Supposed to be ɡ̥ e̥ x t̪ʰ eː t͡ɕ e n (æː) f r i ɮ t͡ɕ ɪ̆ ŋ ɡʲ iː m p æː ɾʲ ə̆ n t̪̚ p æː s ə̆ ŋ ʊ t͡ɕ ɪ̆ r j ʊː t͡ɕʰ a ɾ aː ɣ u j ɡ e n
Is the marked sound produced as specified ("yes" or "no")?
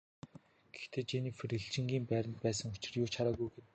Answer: no